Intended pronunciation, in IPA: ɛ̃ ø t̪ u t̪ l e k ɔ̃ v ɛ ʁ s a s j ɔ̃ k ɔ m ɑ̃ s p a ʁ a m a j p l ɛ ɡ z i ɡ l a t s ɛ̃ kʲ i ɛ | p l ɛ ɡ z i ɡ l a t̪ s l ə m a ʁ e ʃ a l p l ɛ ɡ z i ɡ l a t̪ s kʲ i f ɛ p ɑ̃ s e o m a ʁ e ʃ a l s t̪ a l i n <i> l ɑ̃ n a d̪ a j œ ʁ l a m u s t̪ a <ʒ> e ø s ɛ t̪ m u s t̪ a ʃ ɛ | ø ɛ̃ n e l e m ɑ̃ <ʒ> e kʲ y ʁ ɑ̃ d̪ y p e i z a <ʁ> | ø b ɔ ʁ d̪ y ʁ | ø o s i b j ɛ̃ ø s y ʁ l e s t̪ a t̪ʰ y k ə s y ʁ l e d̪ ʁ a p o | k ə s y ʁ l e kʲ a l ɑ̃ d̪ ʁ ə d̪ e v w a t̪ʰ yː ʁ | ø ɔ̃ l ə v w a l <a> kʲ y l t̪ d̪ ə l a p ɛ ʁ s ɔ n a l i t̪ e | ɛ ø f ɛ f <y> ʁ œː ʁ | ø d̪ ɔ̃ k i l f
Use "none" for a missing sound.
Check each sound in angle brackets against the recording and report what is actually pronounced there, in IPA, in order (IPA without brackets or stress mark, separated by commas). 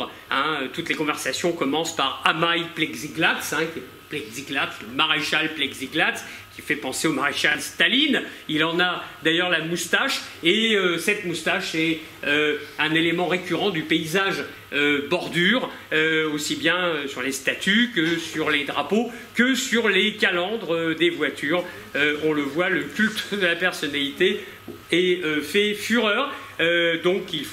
i, ʃ, ʁ, ʒ, ə, y